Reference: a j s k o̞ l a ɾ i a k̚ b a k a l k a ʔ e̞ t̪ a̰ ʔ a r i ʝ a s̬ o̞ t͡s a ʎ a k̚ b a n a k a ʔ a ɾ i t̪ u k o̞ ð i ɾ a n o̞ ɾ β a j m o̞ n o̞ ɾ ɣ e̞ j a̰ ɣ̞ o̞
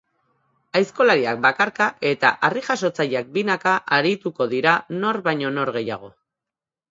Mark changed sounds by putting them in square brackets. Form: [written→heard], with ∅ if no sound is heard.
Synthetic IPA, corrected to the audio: a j s k o̞ l a ɾ i a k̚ b a k a [l→ɾ] k a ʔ e̞ t̪ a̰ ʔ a r i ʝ a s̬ o̞ t͡s a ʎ a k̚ b [a→i] n a k a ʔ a ɾ i t̪ u k o̞ ð i ɾ a n o̞ ɾ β a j [m→ɲ] o̞ n o̞ ɾ ɣ e̞ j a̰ ɣ̞ o̞